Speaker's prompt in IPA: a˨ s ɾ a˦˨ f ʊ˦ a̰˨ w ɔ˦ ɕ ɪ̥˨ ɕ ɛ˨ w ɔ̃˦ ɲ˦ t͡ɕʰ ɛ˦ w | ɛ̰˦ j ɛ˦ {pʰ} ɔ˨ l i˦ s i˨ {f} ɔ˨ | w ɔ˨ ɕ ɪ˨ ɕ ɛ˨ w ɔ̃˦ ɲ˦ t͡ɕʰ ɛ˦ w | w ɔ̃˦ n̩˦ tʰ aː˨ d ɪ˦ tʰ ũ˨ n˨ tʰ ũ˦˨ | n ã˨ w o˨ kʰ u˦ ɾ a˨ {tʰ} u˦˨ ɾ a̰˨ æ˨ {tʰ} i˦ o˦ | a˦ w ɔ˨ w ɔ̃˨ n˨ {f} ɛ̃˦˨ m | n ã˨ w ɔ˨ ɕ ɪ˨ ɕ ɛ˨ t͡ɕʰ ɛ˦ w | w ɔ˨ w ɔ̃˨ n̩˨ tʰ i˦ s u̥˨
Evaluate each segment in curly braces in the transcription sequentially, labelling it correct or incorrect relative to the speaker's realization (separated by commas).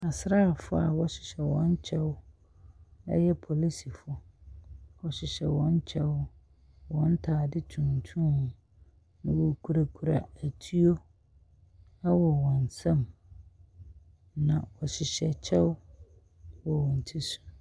correct, correct, incorrect, correct, incorrect